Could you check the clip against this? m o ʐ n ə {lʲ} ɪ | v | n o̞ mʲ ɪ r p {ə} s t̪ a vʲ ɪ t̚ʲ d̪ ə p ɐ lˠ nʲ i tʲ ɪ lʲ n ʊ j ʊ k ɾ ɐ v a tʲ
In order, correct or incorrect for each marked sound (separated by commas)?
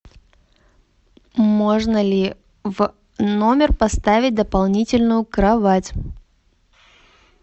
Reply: correct, incorrect